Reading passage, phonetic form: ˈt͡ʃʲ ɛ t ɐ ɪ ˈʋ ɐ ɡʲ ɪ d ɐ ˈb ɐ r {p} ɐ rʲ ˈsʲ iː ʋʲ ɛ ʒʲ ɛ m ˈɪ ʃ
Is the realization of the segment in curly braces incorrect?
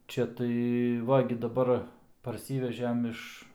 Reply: no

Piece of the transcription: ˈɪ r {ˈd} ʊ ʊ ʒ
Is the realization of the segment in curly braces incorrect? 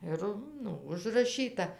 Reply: yes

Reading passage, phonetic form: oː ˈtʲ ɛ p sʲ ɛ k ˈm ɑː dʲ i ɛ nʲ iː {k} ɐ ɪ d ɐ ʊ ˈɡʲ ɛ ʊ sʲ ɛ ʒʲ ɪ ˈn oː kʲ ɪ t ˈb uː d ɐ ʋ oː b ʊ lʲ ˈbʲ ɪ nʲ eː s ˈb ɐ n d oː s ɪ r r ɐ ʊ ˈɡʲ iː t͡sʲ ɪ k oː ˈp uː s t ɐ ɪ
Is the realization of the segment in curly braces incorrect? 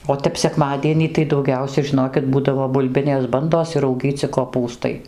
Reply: yes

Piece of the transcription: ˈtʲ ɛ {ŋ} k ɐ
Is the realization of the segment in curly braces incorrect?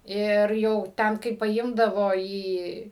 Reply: yes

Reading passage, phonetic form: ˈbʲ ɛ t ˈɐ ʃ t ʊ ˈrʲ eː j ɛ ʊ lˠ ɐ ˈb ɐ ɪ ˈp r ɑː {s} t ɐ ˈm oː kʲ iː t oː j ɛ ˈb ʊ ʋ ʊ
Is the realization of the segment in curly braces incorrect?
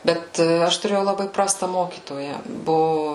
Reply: no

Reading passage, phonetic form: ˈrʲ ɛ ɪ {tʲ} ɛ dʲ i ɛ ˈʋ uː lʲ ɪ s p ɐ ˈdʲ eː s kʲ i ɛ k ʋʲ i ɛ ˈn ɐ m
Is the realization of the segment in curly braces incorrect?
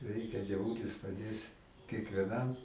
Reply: yes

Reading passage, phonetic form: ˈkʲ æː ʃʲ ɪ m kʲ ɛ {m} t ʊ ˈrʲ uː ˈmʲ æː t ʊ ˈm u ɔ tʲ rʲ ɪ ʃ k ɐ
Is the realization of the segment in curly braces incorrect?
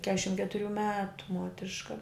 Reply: yes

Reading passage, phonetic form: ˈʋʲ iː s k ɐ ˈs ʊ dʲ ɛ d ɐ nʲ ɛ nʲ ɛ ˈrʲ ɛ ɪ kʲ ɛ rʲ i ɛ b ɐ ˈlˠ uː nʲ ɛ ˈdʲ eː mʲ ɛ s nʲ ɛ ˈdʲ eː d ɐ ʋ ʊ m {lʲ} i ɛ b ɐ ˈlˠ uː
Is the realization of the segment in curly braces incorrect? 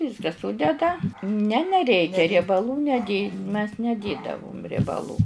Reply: yes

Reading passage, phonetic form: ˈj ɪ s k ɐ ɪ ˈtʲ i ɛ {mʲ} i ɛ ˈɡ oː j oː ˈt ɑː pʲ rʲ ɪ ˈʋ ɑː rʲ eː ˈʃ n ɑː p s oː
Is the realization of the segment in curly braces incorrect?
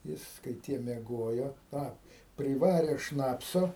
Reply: no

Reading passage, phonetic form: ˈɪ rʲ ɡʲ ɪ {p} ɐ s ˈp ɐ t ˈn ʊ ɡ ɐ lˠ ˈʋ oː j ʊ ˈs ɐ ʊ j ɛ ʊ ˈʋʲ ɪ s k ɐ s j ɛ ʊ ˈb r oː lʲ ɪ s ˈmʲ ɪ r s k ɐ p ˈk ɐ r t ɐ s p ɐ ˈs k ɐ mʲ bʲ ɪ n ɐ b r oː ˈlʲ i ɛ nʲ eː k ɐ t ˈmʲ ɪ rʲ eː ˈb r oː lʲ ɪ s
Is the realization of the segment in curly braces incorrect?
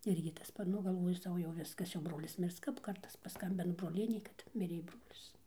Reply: yes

